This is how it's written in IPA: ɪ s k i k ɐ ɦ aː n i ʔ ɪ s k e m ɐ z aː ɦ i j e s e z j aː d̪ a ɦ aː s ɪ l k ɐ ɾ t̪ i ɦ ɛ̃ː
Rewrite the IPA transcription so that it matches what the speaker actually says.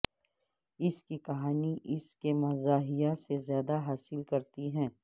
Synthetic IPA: ɪ s k i k ɐ ɦ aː n i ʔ ɪ s k e m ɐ z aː ɦ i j a s e z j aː d̪ a ɦ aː s ɪ l k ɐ ɾ t̪ i ɦ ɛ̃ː